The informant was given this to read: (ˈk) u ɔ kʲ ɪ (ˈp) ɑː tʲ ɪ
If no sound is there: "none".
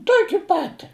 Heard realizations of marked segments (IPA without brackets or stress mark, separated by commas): t, p